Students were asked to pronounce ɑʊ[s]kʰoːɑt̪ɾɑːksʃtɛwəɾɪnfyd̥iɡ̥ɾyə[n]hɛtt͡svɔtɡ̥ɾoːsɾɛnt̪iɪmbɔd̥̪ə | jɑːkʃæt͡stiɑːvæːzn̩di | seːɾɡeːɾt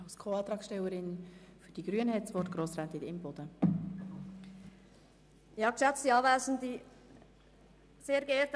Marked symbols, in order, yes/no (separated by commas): yes, yes